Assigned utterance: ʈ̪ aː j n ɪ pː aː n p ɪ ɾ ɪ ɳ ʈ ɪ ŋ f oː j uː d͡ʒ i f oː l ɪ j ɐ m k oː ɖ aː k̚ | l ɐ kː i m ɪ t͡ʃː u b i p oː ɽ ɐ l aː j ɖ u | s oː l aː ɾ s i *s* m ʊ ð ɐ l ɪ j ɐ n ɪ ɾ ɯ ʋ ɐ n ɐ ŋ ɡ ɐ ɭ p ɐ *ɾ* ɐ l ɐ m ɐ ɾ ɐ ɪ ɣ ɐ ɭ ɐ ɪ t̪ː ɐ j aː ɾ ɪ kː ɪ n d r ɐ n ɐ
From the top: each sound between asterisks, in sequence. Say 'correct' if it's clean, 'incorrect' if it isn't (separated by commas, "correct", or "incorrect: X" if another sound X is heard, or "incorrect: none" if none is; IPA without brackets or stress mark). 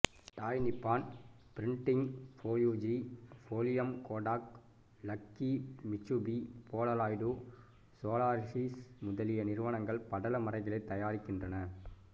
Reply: correct, incorrect: ɽ